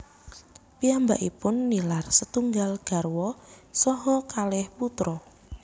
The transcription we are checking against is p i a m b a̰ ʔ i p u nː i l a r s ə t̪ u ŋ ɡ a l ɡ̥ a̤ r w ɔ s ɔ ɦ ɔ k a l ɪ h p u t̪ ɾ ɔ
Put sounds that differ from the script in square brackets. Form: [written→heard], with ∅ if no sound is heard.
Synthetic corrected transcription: p i a m b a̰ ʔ i p [u→ʊ] nː i l a r s ə t̪ u ŋ ɡ a l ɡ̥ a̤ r w ɔ s ɔ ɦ ɔ k a l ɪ h p u t̪ ɾ ɔ